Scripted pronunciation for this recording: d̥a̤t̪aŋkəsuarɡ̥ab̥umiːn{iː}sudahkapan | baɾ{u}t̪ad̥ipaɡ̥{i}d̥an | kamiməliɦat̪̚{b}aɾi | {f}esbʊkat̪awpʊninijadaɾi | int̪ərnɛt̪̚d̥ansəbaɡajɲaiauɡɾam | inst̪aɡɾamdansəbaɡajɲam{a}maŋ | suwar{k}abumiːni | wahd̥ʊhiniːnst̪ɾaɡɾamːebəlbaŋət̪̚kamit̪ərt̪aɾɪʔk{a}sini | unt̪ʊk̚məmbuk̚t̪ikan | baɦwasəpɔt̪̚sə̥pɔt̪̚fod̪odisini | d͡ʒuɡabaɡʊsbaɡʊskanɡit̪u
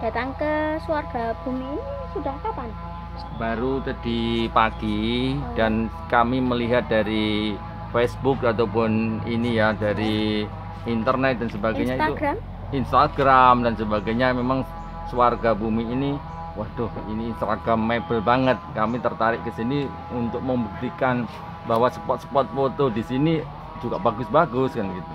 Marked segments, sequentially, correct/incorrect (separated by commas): incorrect, correct, correct, incorrect, correct, incorrect, incorrect, incorrect